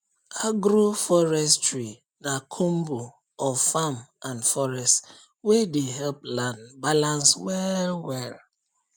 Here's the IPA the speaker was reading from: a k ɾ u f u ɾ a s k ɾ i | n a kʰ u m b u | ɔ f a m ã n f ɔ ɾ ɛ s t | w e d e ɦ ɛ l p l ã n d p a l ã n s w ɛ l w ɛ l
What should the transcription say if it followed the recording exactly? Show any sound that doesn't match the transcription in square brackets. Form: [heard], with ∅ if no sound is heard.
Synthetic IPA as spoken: a [ɡ] ɾ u f [ɔ] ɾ [ɛ] s [t] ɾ i | n a kʰ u m b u | ɔ f a m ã n f ɔ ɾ ɛ s t | w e d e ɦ ɛ l p l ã n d [b] a l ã n s w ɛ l w ɛ l